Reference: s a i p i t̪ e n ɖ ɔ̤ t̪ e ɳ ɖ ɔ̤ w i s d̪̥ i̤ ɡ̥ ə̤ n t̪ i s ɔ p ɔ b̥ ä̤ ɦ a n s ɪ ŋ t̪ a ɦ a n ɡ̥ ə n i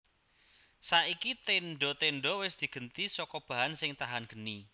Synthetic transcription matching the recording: s a i k i t̪ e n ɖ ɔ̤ t̪ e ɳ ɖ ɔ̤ w ɪ s d̪̥ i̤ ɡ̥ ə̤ n t̪ i s ɔ k ɔ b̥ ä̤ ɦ a n s ɪ ŋ t̪ a ɦ a n ɡ̥ ə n i